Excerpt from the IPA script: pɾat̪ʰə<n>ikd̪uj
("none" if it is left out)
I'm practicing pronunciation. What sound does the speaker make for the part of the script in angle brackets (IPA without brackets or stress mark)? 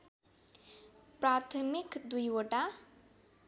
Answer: m